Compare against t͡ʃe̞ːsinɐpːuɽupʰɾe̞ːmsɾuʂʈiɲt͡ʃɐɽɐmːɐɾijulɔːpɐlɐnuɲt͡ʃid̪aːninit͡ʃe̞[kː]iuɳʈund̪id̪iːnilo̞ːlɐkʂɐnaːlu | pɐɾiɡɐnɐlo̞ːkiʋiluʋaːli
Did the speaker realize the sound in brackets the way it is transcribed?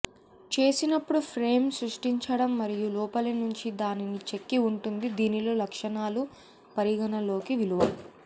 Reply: yes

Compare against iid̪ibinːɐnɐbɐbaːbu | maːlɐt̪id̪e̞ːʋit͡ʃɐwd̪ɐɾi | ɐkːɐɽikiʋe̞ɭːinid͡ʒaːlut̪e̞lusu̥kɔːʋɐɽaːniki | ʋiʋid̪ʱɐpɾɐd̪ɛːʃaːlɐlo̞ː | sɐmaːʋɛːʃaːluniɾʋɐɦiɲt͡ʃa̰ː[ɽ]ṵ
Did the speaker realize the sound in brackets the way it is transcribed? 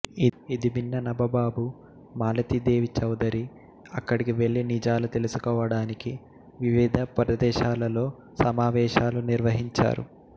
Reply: no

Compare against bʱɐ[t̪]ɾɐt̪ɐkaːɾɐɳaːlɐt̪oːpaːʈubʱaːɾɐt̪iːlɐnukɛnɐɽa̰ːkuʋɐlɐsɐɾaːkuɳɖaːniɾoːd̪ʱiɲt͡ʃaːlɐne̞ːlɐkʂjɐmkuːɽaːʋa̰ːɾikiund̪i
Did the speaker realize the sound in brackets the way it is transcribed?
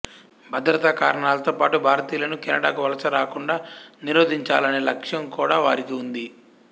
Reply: no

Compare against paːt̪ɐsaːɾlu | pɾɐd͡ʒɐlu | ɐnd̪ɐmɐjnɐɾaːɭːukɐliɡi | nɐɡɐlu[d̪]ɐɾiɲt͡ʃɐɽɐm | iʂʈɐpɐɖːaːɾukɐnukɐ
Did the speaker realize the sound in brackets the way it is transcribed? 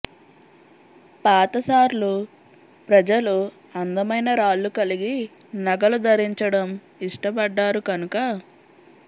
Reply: yes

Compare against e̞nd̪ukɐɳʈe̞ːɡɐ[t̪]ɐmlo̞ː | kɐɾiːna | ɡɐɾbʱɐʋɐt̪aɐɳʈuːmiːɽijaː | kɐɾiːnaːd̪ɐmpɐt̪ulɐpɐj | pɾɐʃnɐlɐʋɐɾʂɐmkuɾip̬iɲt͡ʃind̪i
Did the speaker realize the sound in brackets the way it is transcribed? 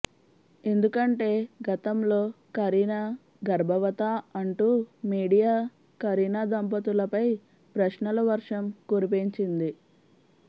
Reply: yes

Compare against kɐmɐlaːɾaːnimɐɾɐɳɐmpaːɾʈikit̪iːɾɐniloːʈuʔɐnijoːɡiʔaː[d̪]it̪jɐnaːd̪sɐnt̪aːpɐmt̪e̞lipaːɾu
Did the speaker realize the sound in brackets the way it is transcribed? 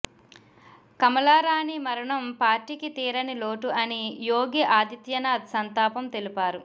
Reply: yes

